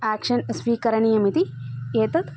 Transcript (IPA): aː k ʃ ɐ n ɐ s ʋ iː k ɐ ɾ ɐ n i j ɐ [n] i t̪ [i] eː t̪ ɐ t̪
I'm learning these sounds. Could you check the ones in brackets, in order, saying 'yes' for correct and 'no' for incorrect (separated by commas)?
no, yes